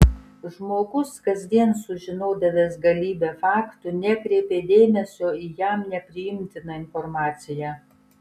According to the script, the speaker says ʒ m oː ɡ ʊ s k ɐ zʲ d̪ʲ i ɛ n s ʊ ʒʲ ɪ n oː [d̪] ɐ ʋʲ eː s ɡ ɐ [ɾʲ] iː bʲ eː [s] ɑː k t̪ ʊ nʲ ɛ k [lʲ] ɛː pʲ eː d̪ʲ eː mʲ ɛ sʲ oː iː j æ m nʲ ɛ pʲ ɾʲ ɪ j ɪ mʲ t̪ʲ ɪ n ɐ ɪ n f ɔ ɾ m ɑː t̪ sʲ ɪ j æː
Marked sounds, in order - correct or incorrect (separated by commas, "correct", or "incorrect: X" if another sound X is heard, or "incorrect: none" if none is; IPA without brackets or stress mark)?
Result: correct, incorrect: lʲ, incorrect: f, incorrect: ɾʲ